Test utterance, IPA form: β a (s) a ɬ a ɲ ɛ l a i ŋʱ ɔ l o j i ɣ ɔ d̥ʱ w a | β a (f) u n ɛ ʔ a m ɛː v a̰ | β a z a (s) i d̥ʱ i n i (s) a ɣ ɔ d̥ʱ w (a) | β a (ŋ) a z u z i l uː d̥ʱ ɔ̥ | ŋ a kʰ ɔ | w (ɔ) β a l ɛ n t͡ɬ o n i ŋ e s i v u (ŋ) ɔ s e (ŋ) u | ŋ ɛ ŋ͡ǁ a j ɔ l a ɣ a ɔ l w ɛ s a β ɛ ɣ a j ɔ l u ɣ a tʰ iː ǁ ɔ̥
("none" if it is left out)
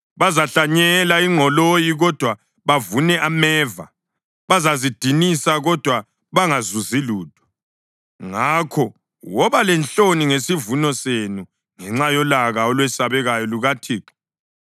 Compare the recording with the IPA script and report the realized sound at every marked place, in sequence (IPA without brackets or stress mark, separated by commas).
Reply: z, v, z, s, a, ŋ, ɔ, n, n